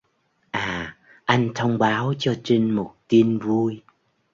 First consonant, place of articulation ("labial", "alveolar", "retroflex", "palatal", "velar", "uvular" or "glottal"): glottal